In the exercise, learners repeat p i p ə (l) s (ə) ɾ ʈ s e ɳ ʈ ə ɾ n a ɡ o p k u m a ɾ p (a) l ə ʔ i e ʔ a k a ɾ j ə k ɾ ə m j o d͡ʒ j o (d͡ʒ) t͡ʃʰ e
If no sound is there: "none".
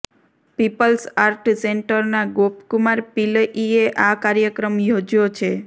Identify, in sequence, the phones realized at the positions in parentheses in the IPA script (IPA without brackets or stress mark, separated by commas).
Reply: l, a, i, none